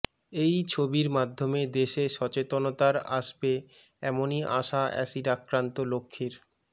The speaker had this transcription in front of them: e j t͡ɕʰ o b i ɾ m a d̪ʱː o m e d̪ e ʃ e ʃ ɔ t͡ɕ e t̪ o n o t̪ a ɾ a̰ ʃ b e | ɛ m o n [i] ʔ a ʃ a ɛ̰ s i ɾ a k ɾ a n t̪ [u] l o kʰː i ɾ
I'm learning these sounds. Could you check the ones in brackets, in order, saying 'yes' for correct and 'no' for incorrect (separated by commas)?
yes, no